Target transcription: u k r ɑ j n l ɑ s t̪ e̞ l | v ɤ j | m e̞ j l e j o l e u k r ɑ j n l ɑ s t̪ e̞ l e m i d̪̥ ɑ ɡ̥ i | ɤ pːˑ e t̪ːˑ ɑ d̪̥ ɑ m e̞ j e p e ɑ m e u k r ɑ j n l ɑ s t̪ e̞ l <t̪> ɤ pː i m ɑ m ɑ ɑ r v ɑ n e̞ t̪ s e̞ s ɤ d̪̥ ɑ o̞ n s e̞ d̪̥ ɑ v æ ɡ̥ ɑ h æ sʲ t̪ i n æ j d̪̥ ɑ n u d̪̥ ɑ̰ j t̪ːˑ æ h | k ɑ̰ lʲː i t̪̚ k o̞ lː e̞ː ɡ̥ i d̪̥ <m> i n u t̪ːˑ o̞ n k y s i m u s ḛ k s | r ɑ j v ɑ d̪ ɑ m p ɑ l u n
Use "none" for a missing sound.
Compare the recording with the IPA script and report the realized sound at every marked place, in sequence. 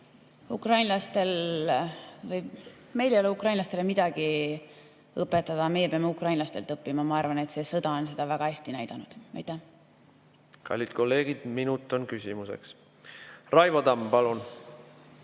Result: t̪, m

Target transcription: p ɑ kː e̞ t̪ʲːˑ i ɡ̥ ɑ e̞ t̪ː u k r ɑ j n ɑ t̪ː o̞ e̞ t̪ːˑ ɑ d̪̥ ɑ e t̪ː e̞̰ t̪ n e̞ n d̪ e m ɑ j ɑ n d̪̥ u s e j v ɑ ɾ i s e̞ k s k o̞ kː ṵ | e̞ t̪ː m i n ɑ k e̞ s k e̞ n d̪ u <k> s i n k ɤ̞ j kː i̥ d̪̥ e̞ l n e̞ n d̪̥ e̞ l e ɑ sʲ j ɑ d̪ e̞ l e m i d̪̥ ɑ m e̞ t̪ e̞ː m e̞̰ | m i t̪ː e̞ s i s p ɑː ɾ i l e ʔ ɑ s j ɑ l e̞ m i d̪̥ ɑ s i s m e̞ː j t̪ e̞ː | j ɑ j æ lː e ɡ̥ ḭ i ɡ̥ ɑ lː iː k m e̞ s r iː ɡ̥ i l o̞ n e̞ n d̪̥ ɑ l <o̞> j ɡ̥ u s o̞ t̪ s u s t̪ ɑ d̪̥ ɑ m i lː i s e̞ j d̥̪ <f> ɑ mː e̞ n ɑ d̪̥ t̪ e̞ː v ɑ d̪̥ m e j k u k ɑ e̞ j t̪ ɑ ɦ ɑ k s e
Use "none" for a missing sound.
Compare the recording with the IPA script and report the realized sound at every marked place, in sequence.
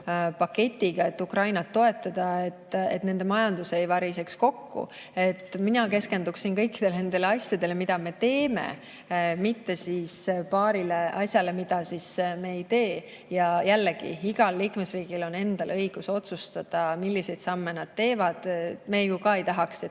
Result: k, ɤ̞, s

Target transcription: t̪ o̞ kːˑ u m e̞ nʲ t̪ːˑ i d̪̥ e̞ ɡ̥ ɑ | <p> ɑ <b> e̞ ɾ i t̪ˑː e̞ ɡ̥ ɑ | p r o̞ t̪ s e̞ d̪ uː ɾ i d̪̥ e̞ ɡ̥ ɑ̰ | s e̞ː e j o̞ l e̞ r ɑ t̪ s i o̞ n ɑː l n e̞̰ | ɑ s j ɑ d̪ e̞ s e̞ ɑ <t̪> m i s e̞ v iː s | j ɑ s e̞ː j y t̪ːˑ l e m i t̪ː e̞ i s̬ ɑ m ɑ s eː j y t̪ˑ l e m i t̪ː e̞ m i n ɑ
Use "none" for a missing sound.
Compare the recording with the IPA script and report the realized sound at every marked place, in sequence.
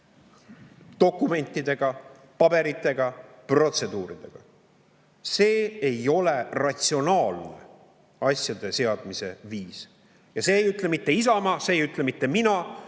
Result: p, b, d̪

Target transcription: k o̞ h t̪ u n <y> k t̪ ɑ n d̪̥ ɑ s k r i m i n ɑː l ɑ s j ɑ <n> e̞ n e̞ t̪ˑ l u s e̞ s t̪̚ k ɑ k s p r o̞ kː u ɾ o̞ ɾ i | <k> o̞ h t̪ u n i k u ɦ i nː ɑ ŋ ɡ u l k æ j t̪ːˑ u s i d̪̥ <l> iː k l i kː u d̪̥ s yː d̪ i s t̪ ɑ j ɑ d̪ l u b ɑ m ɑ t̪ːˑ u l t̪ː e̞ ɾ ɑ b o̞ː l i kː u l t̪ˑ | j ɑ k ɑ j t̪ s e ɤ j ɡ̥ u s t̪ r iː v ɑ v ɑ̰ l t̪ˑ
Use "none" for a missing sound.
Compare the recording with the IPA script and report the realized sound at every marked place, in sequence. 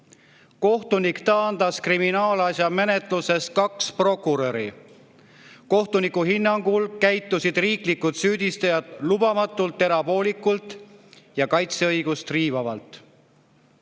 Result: i, m, k, r

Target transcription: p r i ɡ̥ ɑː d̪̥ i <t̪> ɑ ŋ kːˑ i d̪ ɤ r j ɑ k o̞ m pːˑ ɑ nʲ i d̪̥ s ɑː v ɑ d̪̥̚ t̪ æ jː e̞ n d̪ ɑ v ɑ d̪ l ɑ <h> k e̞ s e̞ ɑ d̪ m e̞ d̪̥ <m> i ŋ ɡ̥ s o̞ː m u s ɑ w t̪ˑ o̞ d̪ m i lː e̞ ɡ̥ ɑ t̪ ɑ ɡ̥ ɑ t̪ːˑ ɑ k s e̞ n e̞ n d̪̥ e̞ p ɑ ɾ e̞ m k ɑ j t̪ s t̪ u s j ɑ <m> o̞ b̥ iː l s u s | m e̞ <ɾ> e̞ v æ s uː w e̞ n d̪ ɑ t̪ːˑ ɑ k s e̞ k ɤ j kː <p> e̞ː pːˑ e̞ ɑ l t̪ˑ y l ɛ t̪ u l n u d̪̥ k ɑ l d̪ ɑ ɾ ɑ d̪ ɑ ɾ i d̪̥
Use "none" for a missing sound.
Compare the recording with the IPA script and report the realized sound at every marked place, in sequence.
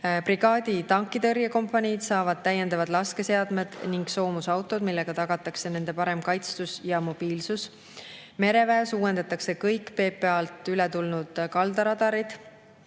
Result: t̪, s, n, m, ɾ, p

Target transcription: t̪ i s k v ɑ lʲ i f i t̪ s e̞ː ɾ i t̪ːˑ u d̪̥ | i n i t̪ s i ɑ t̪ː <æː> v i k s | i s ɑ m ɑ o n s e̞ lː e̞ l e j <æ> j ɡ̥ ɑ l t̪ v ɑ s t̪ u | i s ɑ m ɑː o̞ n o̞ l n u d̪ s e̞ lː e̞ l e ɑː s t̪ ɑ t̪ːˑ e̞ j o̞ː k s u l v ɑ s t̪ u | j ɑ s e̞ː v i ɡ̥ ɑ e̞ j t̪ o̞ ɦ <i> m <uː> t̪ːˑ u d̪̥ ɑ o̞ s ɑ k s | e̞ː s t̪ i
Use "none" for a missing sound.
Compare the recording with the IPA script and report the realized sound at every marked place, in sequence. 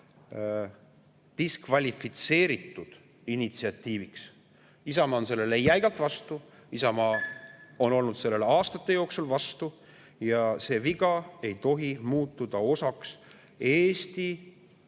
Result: iː, æ, i, uː

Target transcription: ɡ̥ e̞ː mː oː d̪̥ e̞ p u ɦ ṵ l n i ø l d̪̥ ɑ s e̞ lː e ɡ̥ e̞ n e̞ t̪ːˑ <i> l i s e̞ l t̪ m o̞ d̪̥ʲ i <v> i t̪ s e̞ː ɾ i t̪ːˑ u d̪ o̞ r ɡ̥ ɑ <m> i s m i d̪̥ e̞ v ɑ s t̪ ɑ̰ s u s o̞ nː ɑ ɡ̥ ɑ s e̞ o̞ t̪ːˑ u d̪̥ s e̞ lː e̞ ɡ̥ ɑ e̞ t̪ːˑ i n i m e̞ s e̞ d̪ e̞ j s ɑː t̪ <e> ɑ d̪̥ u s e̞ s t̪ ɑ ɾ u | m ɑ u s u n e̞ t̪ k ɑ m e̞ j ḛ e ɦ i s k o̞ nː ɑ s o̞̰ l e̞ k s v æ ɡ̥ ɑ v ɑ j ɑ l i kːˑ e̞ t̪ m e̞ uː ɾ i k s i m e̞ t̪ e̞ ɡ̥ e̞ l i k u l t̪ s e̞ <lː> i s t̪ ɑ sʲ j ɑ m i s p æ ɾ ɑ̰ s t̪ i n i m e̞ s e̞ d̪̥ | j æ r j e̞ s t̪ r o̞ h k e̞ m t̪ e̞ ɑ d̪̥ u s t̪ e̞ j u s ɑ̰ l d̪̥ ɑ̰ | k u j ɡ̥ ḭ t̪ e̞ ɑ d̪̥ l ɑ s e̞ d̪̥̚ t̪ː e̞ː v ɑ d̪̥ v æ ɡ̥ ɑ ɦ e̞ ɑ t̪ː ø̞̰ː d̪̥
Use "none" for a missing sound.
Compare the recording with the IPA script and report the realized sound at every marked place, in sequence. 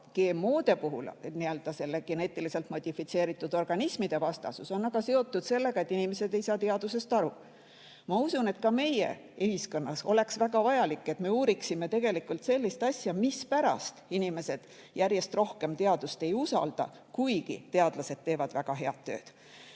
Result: i, f, n, e, lː

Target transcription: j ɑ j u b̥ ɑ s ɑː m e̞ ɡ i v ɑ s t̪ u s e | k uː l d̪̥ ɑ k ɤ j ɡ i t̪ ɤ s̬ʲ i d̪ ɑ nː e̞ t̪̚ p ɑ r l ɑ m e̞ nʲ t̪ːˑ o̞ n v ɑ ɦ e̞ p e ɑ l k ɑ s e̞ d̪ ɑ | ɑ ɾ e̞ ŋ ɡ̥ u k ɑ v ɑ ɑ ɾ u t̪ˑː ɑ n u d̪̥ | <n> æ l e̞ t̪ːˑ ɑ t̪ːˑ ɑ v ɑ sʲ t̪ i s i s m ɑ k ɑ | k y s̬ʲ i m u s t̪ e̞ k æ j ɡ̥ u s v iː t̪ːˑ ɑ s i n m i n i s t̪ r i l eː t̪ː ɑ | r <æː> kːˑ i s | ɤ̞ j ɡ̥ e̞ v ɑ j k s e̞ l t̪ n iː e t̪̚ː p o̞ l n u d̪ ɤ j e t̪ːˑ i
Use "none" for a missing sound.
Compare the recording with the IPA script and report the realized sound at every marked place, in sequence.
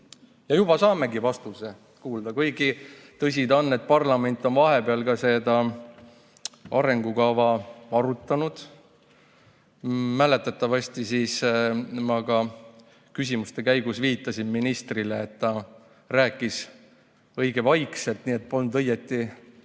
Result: m, æː

